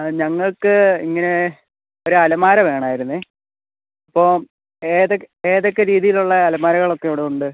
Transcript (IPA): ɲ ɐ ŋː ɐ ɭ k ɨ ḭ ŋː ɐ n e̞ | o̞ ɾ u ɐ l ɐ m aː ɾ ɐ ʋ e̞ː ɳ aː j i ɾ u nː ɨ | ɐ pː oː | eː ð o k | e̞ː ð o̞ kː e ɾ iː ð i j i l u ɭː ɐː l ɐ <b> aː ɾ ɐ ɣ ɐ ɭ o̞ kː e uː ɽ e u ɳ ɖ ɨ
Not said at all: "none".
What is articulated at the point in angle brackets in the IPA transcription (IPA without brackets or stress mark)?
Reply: m